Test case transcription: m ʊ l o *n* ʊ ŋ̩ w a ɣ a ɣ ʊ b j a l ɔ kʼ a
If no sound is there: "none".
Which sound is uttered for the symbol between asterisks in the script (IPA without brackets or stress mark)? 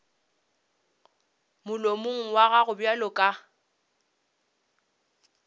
m